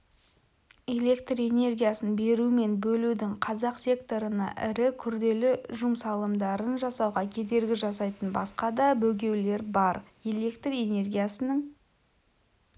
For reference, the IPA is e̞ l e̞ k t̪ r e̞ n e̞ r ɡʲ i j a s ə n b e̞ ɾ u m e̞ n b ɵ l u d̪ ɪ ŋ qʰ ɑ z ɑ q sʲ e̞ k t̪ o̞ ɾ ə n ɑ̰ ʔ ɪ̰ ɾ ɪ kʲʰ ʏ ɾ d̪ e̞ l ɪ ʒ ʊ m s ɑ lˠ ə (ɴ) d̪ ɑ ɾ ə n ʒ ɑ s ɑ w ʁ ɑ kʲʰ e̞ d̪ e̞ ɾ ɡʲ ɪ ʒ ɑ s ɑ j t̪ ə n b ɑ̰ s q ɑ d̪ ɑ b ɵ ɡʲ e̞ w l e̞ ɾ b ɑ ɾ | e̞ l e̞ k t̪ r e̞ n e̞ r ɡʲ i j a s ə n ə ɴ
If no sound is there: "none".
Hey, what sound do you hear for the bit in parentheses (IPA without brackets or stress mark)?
m